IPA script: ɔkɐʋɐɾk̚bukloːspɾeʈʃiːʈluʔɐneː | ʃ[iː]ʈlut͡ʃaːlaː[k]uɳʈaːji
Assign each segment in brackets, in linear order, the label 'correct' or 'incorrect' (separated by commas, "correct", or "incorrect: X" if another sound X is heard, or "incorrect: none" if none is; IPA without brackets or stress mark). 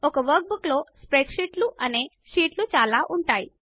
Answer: correct, incorrect: ʔ